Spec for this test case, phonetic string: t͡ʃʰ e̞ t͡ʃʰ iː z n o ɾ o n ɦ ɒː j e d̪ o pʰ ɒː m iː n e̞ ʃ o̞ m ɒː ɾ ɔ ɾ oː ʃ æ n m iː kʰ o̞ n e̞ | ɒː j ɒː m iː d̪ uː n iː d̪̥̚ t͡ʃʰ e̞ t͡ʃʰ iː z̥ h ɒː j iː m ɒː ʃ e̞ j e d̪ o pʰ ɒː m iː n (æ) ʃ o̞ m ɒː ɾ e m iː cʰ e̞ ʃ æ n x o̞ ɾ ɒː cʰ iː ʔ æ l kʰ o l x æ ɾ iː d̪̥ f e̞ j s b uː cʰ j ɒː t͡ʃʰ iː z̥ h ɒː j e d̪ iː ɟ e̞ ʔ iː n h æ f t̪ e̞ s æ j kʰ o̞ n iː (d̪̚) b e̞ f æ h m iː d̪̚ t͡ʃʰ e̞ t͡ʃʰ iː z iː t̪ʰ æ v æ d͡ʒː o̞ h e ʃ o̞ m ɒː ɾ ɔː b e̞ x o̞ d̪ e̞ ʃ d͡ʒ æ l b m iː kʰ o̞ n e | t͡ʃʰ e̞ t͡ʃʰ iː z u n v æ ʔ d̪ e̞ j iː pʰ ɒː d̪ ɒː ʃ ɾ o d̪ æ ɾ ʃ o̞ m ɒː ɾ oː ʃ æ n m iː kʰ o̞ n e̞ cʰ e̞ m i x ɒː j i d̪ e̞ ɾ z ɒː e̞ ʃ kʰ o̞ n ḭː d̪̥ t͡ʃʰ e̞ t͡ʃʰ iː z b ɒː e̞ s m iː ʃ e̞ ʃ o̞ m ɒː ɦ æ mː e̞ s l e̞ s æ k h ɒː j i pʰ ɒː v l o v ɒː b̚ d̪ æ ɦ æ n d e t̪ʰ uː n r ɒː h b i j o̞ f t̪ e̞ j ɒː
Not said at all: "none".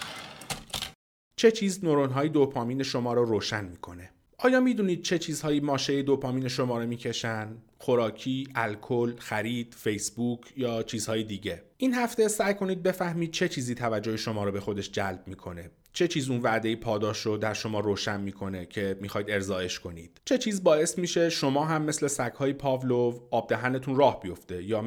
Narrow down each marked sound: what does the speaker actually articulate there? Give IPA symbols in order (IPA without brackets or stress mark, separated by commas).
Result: e, d̪̚